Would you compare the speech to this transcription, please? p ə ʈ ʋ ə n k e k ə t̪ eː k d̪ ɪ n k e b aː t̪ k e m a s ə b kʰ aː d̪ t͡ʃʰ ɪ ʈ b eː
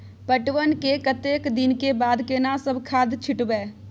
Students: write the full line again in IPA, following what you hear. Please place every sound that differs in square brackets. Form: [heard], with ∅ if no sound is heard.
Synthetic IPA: p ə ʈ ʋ ə n k e k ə t̪ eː k d̪ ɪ n k e b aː [d̪] k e [n] a s ə b kʰ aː d̪ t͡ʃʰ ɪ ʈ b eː

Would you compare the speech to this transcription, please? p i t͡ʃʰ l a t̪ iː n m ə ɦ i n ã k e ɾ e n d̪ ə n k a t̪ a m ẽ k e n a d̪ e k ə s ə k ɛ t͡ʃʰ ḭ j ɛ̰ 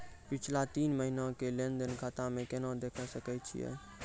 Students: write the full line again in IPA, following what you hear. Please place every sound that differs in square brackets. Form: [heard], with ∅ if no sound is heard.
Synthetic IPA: p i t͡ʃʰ l a t̪ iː n m ə ɦ i n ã k e [l] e n d̪ ə n k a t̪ a m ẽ k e n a d̪ e [kʰ] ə s ə k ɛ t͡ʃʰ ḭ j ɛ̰

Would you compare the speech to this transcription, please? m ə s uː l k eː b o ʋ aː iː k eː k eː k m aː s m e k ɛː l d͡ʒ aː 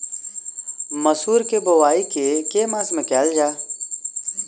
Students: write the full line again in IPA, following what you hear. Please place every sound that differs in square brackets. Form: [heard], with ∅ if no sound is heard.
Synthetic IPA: m ə s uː [ɾ] k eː b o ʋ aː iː k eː k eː [∅] m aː s m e k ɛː l d͡ʒ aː

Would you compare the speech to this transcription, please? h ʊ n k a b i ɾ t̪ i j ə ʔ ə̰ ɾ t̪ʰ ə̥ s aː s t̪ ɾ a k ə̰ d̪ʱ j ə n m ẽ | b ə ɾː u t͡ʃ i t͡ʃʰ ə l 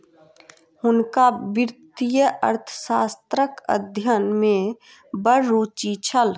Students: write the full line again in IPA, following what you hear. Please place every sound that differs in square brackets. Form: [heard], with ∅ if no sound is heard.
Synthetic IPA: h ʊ n k a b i ɾ t̪ i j ə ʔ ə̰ ɾ t̪ʰ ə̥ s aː s t̪ ɾ [ə] k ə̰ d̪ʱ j ə n m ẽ | b ə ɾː u t͡ʃ i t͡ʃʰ ə l

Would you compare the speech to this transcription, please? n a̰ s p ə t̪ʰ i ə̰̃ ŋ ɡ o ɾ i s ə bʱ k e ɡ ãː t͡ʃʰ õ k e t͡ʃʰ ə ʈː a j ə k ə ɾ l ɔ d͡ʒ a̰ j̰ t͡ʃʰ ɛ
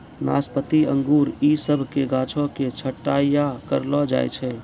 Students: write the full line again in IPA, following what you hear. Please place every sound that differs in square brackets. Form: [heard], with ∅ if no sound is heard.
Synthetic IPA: n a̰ s p ə [t̪] i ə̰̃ ŋ ɡ [u] ɾ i s ə bʱ k e ɡ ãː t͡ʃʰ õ k e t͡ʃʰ ə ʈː a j [a] k ə ɾ l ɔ d͡ʒ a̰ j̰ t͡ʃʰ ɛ

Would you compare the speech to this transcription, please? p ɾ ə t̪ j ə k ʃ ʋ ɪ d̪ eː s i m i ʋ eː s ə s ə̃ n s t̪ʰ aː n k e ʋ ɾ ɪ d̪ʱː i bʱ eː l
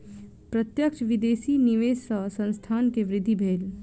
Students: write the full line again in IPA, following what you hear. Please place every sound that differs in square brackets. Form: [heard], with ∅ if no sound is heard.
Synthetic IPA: p ɾ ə t̪ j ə k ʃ ʋ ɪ d̪ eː s i [n] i ʋ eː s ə s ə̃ n s t̪ʰ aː n k e ʋ ɾ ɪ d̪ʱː i bʱ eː l

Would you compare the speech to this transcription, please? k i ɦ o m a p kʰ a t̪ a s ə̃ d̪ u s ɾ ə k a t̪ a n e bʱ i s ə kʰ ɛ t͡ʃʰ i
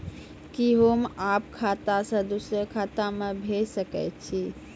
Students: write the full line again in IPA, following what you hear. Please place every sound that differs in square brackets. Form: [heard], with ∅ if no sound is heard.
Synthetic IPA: k i ɦ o m a p kʰ a t̪ a s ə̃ d̪ u s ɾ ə [kʰ] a t̪ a [m] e bʱ [e] s ə [k] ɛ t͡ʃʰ i

